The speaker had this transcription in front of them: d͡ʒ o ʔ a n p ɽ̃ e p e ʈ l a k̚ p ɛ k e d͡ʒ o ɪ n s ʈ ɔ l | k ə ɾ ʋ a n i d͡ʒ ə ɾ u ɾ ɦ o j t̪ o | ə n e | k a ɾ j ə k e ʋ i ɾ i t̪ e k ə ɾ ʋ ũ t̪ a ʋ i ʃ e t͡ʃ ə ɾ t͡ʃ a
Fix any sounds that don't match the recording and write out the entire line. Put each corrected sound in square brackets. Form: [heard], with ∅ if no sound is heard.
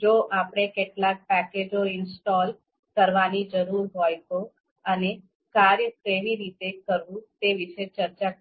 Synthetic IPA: d͡ʒ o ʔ a [∅] p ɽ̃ e [k] e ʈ l a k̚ p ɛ k e d͡ʒ o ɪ n s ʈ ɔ l | k ə ɾ ʋ a n i d͡ʒ ə ɾ u ɾ ɦ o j t̪ o | ə n e | k a ɾ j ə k e ʋ i ɾ i t̪ e k ə ɾ ʋ ũ t̪ [e] ʋ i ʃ e t͡ʃ ə ɾ t͡ʃ a